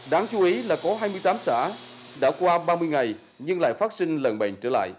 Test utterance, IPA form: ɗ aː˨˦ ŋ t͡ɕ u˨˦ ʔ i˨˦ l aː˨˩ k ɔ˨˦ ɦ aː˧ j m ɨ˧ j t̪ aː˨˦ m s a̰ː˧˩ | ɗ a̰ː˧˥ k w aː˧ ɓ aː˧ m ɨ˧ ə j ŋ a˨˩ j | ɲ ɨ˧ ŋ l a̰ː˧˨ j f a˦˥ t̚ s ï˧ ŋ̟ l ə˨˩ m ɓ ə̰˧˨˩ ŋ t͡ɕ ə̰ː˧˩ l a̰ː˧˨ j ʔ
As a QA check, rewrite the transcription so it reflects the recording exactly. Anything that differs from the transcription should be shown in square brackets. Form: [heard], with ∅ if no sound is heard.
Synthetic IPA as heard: ɗ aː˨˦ ŋ t͡ɕ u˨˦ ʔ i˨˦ l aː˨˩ k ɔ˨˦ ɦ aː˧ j m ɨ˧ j t̪ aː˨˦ m s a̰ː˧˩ | ɗ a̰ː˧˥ k w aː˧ ɓ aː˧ m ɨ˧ ə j ŋ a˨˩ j | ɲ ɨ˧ ŋ l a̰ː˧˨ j f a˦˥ t̚ s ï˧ ŋ̟ l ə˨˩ [n] ɓ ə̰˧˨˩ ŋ t͡ɕ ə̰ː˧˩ l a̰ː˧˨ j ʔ

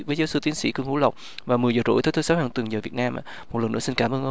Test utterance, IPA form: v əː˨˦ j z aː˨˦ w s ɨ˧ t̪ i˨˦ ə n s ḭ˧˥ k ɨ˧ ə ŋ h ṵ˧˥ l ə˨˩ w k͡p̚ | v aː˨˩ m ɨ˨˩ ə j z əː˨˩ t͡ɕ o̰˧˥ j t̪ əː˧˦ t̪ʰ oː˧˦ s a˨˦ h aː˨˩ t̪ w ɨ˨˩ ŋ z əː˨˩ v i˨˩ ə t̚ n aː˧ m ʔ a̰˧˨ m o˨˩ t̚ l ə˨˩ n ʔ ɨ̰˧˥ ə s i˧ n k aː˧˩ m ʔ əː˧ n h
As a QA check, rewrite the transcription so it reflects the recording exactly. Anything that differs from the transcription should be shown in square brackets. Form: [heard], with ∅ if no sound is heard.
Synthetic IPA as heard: v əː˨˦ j z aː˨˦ w s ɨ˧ t̪ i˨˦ ə n s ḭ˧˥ k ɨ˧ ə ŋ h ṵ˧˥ l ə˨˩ w k͡p̚ | v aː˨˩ m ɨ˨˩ ə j z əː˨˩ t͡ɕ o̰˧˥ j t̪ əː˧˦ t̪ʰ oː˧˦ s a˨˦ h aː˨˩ t̪ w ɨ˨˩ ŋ z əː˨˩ v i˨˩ ə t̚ n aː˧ m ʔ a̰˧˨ m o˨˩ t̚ l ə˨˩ n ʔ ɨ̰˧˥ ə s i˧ n k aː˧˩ m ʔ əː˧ n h

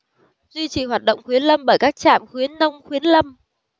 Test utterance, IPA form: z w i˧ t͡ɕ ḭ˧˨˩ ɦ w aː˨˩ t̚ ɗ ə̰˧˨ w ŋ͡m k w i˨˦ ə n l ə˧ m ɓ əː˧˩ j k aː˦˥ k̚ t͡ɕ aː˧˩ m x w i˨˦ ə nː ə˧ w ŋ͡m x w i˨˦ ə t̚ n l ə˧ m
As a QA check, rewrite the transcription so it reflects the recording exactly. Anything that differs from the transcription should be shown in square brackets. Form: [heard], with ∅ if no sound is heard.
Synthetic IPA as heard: z w i˧ t͡ɕ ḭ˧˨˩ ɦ w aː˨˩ t̚ ɗ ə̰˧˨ w ŋ͡m [x] w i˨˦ ə n l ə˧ m ɓ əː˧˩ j k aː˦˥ k̚ t͡ɕ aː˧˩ m x w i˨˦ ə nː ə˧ w ŋ͡m x w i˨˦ ə [∅] n l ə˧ m

